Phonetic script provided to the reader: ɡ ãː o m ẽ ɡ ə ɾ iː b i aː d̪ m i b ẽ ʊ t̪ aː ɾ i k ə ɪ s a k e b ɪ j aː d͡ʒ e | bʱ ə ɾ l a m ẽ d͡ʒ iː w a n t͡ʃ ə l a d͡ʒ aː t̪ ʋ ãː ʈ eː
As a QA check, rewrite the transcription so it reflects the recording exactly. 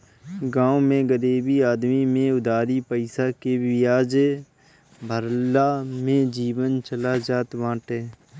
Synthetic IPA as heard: ɡ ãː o m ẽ ɡ ə ɾ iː b i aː d̪ m i m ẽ ʊ d̪ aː ɾ i p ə ɪ s a k e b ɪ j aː d͡ʒ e | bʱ ə ɾ l a m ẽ d͡ʒ iː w ə n t͡ʃ ə l a d͡ʒ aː t̪ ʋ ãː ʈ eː